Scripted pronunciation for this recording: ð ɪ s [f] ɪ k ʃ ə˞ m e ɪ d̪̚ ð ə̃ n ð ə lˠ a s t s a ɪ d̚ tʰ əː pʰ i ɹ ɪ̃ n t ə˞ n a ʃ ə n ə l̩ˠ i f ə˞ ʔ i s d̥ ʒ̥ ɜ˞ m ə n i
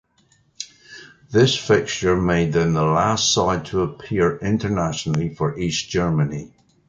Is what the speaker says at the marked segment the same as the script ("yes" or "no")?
yes